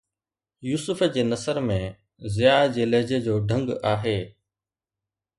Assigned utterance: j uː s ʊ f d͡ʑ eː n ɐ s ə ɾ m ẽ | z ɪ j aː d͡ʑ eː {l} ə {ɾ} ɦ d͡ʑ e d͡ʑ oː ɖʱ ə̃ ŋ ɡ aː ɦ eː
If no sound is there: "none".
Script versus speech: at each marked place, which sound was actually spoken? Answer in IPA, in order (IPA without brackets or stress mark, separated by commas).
l, none